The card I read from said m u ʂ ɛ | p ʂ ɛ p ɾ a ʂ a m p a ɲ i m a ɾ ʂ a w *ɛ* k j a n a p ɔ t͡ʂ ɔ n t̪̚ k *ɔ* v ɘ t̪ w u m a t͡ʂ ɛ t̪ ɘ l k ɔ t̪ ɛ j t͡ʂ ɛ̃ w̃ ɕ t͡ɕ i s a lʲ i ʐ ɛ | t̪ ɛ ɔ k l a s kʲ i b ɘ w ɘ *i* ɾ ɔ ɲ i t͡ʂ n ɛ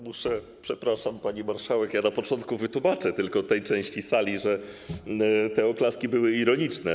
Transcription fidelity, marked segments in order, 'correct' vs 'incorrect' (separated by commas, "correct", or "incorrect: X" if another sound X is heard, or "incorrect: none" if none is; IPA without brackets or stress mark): correct, incorrect: u, correct